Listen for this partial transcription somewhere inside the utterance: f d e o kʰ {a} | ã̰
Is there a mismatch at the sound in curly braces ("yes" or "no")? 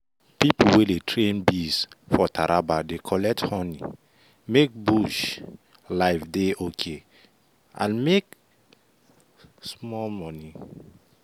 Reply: yes